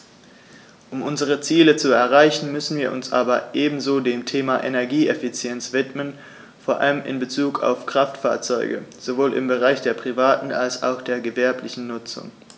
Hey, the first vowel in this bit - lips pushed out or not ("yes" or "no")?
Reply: yes